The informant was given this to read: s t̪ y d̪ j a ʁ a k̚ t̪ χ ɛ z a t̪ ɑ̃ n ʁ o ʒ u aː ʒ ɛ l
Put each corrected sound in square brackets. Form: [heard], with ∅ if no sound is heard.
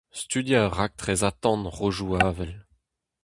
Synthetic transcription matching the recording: s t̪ y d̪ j a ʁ a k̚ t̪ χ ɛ z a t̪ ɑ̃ n ʁ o ʒ u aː [v] ɛ l